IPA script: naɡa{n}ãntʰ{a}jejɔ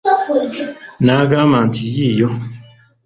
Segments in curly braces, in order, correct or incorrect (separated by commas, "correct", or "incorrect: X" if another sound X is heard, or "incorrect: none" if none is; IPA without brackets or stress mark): incorrect: m, incorrect: i